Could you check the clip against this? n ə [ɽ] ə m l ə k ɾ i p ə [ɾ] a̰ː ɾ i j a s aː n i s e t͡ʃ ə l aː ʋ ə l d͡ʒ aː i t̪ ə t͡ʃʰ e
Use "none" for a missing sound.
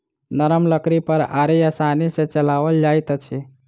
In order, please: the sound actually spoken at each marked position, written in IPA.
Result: ɾ, ɾ

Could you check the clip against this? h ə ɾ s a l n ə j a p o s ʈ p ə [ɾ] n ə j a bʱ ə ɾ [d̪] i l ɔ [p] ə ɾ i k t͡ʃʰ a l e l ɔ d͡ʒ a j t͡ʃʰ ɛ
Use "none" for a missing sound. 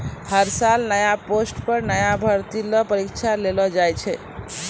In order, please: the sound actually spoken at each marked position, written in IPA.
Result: ɾ, t̪, p

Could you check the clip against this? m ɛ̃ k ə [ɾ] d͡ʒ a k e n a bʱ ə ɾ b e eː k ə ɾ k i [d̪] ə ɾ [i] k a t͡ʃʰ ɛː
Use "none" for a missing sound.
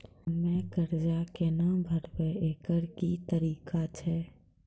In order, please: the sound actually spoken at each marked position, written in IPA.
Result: ɾ, t̪, iː

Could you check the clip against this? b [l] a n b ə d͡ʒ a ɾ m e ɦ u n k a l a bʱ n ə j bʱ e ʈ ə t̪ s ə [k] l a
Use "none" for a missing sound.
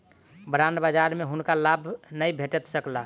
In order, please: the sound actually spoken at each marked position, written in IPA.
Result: ɾ, k

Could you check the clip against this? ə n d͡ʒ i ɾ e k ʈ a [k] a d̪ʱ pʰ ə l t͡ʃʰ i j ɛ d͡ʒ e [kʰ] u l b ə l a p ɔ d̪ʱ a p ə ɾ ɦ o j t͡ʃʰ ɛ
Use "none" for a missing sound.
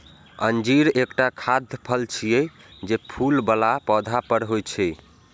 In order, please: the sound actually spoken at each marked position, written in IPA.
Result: kʰ, pʰ

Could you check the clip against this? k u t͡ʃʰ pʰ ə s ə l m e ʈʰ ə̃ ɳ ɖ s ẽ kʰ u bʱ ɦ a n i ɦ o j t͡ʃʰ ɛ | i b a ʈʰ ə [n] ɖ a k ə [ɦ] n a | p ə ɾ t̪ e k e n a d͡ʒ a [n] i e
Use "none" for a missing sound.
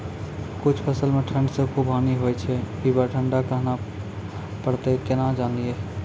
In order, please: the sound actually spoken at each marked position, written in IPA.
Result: ɳ, ɦ, n

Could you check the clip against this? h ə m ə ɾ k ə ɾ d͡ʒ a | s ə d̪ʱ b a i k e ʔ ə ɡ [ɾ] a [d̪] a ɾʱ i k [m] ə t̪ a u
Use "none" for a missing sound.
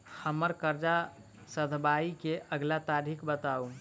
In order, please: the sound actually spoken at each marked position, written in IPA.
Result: l, t̪, b

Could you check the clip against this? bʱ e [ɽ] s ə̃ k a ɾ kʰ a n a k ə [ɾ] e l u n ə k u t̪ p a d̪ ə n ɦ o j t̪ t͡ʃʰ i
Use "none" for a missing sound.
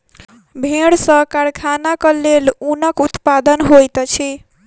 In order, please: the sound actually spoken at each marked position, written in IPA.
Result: ɽ, l

